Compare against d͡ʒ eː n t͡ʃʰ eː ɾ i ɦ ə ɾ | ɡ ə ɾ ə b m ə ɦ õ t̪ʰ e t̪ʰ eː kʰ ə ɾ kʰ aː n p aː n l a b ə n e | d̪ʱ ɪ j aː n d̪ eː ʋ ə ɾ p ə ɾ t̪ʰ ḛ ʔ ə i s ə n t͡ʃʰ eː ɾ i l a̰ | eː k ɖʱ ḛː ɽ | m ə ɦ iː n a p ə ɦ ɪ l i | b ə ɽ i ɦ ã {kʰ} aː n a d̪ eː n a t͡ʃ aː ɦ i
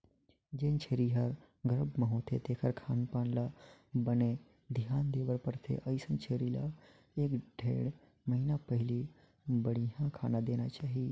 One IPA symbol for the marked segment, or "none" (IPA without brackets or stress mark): kʰ